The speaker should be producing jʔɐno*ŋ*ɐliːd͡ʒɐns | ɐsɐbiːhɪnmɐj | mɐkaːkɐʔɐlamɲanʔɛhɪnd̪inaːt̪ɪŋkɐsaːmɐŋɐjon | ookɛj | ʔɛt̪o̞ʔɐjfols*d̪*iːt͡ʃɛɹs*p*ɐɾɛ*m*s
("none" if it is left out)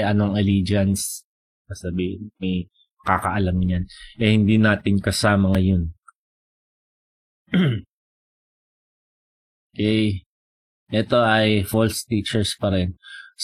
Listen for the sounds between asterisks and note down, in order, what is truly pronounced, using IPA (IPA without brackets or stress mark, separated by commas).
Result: ŋ, t̪, p, n